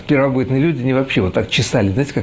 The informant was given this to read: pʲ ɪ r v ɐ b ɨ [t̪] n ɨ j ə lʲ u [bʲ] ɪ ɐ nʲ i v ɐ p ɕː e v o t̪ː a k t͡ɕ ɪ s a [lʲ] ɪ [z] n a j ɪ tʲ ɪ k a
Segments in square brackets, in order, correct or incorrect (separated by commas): correct, incorrect, correct, correct